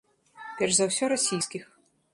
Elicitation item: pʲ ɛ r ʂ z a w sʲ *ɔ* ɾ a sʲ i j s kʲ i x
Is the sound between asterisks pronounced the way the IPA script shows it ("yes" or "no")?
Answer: yes